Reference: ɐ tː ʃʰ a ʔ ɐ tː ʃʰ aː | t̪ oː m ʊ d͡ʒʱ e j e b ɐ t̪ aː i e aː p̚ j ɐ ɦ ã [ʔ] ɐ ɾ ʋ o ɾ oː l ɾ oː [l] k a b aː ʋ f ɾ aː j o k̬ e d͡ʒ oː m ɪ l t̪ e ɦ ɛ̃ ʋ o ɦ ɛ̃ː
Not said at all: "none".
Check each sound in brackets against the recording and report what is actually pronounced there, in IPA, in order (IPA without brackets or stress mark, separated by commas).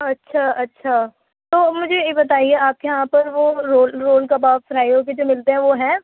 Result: p, l